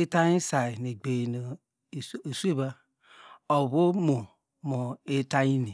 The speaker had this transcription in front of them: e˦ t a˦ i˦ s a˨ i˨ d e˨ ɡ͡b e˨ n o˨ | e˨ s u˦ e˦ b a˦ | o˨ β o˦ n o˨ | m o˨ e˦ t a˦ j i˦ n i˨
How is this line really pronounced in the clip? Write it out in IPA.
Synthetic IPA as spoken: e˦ t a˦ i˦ s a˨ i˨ n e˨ ɡ͡b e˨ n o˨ | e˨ s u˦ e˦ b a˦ | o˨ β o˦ m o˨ | m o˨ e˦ t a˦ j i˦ n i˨